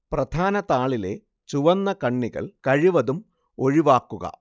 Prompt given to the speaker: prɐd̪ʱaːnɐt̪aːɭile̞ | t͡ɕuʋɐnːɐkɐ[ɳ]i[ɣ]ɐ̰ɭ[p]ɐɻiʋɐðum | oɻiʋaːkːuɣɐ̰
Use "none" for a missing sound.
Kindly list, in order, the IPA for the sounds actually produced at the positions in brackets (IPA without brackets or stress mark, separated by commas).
ɳː, ɣ, k